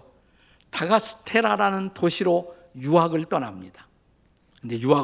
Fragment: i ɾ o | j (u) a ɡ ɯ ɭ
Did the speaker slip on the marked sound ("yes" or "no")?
no